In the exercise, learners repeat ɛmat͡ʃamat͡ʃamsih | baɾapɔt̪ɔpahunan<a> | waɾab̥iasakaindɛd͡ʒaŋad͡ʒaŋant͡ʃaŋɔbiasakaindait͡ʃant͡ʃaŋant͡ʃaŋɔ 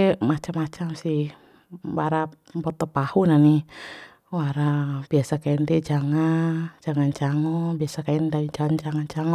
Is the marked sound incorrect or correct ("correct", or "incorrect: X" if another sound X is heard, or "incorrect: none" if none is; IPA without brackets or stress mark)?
incorrect: i